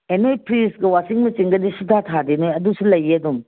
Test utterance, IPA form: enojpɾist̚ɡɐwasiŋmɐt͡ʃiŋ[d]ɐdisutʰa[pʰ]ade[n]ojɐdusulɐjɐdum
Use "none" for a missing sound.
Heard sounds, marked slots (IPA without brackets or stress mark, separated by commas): ɡ, tʰ, n